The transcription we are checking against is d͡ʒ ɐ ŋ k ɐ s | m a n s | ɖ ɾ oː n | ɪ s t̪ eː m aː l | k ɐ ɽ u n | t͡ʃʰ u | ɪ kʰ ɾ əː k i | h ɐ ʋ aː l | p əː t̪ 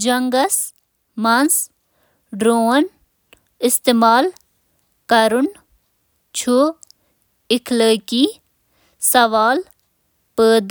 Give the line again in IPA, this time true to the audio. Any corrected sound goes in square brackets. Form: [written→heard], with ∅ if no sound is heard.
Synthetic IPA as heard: d͡ʒ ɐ ŋ [k→ɡ] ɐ s | m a n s | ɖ ɾ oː n | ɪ s t̪ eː m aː l | k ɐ [ɽ→ɾ] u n | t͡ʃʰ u | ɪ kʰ [ɾ→l] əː k i | [h→s] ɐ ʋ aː l | p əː [t̪→d̪]